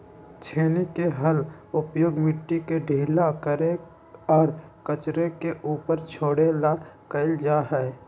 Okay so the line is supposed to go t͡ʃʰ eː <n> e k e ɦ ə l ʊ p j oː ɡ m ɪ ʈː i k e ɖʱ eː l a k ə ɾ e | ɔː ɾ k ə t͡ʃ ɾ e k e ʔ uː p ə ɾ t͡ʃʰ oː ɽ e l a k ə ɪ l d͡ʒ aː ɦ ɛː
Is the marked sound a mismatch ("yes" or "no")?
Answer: no